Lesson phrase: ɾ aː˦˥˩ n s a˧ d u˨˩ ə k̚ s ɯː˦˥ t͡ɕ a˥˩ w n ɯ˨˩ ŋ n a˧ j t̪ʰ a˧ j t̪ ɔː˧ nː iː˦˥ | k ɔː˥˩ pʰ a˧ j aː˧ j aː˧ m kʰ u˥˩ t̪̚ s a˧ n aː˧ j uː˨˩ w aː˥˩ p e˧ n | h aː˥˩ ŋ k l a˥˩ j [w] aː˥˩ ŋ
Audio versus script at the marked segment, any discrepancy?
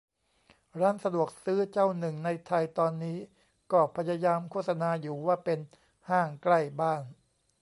yes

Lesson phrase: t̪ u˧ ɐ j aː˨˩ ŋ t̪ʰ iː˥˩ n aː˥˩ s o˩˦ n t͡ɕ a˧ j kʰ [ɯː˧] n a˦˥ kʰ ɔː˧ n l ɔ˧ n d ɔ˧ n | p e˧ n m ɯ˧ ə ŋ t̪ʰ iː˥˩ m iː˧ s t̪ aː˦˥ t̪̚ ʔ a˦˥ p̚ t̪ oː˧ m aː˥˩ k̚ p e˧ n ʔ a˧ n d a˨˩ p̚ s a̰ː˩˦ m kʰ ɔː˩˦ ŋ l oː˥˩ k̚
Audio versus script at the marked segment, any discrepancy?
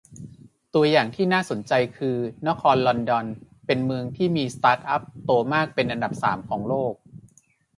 no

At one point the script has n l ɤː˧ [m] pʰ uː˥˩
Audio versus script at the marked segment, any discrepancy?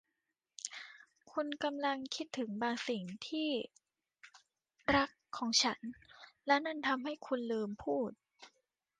no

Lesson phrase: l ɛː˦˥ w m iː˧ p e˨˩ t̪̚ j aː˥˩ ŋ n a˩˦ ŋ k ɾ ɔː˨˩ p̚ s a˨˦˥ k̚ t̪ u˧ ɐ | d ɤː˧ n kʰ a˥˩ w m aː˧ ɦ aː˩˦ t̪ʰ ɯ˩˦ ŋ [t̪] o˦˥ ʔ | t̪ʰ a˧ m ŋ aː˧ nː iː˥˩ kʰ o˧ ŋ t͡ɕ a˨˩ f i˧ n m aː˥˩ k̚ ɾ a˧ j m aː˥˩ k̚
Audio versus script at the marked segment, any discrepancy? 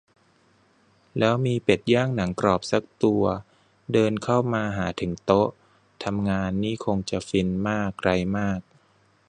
no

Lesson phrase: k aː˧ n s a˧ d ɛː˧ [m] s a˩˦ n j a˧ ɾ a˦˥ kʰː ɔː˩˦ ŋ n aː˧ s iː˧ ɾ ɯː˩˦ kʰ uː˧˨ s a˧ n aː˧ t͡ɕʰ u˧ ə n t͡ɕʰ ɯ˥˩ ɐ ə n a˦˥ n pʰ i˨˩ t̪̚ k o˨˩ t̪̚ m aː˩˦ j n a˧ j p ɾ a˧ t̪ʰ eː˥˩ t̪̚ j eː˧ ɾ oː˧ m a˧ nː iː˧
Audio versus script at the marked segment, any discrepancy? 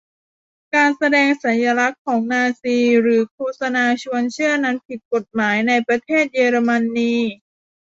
yes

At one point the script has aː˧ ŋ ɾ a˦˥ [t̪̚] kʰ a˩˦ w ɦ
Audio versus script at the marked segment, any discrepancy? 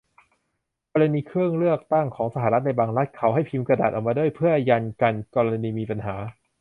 no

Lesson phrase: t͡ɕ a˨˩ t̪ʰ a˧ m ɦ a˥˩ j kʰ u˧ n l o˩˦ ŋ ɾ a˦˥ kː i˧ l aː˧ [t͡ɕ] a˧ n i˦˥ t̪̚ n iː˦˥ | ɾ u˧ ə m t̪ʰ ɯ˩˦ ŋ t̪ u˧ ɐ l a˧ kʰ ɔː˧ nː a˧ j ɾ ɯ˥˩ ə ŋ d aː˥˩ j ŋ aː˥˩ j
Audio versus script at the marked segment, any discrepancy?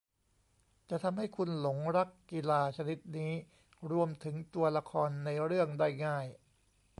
yes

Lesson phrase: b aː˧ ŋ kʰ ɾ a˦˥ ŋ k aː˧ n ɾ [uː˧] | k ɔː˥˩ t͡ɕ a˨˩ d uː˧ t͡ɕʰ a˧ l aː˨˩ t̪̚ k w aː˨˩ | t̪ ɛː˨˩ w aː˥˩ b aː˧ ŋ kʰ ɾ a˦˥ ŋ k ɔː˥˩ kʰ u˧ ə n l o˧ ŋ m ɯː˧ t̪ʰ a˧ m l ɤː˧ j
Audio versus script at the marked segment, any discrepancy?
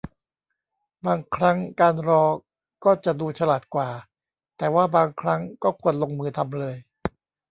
yes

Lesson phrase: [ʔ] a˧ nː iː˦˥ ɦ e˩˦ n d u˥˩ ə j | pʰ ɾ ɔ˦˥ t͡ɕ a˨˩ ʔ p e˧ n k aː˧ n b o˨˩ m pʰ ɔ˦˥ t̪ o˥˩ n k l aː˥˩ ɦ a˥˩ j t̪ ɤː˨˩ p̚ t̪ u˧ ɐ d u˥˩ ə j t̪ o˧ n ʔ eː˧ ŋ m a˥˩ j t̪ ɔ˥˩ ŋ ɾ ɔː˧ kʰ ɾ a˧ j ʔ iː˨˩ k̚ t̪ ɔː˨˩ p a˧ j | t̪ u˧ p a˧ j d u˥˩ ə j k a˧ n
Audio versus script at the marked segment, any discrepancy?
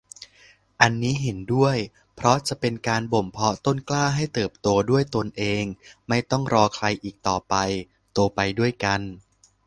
no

